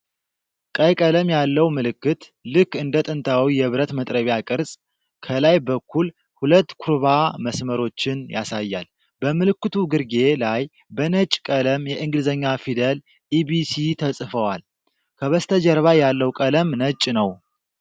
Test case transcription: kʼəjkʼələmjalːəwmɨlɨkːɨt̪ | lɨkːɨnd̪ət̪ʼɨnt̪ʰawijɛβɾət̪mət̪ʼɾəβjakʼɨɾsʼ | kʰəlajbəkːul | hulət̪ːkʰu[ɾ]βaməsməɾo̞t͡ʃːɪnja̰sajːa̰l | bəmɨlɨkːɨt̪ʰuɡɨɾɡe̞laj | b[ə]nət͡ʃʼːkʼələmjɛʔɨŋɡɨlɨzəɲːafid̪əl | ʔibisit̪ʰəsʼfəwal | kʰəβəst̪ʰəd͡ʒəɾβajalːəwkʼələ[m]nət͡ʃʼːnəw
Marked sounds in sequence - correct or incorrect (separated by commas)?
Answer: correct, correct, correct